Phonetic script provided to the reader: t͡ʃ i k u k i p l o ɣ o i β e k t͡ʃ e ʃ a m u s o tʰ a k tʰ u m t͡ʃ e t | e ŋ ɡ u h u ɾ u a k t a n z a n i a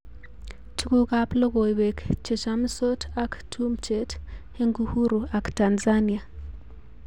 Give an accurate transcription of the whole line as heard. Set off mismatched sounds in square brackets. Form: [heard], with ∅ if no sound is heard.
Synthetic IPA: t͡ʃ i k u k [a] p l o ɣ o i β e k t͡ʃ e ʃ a m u s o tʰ a k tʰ u m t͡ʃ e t | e ŋ ɡ u h u ɾ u a k t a n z a n i a